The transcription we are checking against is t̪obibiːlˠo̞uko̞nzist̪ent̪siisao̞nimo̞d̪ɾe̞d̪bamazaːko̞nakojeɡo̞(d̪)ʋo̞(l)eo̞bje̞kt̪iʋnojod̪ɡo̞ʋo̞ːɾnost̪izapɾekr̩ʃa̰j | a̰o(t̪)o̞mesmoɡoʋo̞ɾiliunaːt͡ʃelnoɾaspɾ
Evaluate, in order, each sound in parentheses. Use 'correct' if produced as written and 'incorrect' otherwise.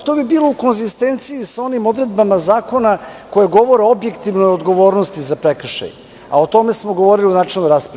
incorrect: none, incorrect: ɾ, correct

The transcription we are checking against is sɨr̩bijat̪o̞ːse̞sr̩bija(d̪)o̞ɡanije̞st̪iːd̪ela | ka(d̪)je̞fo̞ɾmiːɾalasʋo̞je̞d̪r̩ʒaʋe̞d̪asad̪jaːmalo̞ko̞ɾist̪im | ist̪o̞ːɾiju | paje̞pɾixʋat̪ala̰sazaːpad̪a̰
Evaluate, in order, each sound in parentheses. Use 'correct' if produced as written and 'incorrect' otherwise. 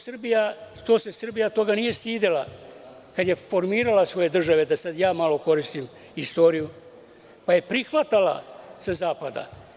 incorrect: t̪, correct

